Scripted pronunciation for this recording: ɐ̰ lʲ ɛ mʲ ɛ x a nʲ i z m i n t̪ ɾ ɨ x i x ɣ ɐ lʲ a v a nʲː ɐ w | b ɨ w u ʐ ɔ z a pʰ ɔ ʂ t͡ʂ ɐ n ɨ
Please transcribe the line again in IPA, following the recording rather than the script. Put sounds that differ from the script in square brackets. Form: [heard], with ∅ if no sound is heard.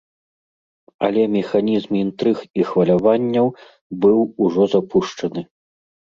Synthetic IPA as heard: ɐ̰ lʲ ɛ mʲ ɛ x a nʲ i z m i n t̪ ɾ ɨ x i x [v] ɐ lʲ a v a nʲː ɐ w | b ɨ w u ʐ ɔ z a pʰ [u] ʂ t͡ʂ ɐ n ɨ